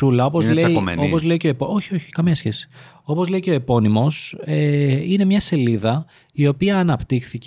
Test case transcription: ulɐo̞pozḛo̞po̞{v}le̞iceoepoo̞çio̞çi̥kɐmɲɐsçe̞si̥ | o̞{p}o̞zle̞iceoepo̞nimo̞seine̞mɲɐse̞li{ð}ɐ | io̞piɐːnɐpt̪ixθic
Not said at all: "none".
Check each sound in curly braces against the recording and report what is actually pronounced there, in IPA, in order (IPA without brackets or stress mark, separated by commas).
z, p, ð